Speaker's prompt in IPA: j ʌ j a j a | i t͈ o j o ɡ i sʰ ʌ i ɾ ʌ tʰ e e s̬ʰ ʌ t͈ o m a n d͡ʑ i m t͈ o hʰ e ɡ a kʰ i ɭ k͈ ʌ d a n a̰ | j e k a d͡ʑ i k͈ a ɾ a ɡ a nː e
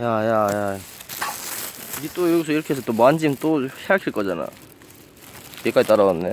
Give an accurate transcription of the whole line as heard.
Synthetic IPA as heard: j a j a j a | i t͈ o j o ɡ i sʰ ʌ i ɾ ʌ kʰ e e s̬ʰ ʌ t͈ o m a n d͡ʑ i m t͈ o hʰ e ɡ a kʰ i ɭ k͈ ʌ d͡ʑ a n a̰ | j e k a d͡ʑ i t͈ a ɾ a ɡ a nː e